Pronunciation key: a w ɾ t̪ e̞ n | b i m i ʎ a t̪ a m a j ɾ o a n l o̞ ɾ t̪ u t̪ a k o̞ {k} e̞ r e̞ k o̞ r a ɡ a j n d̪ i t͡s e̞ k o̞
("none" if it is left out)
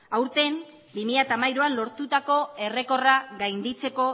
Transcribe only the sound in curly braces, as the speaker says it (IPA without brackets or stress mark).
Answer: none